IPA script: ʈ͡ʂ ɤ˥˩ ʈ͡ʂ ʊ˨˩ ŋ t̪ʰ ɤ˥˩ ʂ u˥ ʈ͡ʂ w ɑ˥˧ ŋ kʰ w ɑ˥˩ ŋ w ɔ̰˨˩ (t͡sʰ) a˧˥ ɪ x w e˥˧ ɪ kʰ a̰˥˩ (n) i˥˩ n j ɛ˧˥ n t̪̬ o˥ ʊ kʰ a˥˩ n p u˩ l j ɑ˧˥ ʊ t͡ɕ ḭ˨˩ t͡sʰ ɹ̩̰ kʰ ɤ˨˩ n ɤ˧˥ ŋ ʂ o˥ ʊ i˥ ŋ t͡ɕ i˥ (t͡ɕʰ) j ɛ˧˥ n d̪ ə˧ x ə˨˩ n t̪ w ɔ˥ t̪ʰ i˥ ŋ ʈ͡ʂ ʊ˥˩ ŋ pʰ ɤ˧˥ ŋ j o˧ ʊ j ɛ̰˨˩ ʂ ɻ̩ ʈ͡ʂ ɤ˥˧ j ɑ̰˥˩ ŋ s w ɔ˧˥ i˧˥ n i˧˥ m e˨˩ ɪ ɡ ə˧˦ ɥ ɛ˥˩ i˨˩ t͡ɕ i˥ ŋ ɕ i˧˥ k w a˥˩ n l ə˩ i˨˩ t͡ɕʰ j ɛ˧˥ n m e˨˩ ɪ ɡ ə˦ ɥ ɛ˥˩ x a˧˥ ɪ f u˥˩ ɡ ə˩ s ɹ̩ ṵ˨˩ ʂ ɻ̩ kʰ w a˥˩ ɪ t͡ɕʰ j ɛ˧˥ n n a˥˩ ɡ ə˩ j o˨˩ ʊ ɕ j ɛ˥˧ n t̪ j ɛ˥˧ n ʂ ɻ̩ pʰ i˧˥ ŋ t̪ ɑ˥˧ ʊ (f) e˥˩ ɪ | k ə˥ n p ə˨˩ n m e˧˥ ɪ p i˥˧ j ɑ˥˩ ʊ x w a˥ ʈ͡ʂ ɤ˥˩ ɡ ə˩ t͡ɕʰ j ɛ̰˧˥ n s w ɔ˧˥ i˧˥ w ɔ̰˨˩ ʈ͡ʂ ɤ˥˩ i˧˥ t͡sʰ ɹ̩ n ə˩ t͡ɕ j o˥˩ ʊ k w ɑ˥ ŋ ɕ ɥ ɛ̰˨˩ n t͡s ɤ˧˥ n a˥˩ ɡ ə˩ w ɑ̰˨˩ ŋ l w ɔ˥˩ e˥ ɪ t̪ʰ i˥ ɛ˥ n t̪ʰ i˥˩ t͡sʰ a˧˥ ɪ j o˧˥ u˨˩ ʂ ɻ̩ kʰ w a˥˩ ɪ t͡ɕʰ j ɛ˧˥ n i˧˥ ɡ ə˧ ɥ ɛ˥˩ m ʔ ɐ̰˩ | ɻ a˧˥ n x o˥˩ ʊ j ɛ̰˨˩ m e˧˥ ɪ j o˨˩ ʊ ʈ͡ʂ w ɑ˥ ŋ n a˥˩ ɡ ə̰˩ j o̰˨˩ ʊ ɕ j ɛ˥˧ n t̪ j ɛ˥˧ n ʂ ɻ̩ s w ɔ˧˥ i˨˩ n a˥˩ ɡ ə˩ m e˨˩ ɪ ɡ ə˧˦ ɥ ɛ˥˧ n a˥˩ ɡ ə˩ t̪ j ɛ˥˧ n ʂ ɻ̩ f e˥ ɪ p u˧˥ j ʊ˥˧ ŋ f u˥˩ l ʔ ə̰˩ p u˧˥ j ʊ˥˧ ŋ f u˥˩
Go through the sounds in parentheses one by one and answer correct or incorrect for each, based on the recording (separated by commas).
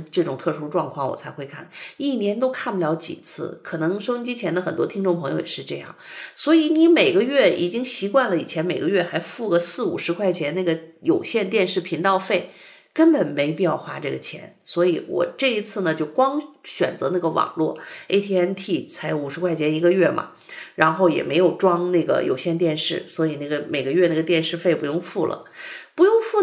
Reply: correct, correct, correct, correct